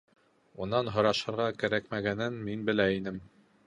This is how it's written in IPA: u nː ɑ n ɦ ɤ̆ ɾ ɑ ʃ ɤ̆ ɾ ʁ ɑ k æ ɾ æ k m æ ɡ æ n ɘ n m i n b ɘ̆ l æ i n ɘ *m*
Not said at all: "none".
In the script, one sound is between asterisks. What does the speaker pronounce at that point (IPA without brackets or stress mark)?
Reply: m